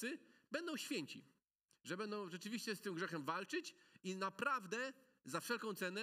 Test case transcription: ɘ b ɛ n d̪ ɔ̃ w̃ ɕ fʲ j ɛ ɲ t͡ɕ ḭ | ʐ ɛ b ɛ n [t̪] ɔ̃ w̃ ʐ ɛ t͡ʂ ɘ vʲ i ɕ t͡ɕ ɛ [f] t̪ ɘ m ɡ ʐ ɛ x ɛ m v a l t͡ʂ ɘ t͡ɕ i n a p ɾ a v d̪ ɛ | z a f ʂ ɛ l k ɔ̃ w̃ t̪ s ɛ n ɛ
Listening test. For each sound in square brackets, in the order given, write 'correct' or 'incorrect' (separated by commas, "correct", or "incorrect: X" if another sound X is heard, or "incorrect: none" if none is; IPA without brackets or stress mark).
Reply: incorrect: d̪, incorrect: s